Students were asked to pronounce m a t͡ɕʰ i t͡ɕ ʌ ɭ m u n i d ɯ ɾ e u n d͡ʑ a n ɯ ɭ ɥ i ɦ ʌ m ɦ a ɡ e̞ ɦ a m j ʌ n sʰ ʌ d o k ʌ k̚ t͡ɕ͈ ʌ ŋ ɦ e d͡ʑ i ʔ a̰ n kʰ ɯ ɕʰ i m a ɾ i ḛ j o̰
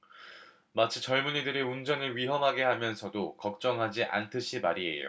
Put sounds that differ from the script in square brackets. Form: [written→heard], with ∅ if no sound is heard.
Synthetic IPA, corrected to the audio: m a t͡ɕʰ i t͡ɕ ʌ ɭ m u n i d ɯ ɾ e u n d͡ʑ [a→ʌ] n ɯ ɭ ɥ i ɦ ʌ m ɦ a ɡ e̞ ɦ a m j ʌ n sʰ ʌ d o k ʌ k̚ t͡ɕ͈ ʌ ŋ ɦ [e→a] d͡ʑ i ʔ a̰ n [kʰ→tʰ] ɯ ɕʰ i m a ɾ i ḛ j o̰